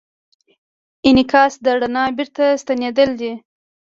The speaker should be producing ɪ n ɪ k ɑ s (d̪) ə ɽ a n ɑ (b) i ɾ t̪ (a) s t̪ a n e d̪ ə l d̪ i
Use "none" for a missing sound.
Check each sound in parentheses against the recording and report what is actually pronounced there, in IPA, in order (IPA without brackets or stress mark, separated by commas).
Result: d̪, b, a